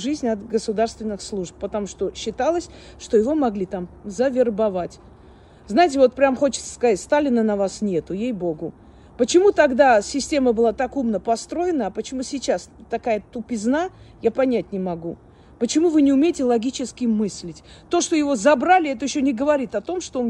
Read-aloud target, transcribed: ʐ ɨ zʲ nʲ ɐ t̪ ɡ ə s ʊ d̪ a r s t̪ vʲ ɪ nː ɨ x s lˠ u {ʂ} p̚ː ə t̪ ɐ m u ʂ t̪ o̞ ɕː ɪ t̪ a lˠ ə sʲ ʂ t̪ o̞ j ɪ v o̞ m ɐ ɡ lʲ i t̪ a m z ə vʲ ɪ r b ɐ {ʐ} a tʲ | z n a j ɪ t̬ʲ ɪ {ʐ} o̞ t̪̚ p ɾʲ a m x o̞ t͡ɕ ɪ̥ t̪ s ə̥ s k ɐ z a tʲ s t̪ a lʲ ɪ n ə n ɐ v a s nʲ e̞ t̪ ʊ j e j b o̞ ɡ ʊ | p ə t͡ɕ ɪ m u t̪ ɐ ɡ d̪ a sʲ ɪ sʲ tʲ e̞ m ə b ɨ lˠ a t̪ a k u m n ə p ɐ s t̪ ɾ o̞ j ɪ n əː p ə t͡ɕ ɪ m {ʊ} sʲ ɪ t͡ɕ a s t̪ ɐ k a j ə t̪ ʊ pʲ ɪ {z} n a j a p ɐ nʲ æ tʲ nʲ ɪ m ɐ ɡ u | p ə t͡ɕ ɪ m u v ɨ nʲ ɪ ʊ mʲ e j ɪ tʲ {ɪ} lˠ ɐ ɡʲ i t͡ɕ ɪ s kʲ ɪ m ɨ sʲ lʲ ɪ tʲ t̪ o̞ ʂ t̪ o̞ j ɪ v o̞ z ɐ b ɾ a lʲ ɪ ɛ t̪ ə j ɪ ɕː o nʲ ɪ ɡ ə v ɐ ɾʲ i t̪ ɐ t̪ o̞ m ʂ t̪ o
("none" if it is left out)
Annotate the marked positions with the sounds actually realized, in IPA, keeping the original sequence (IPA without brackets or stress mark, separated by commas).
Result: ʂ, v, v, u, z, ɪ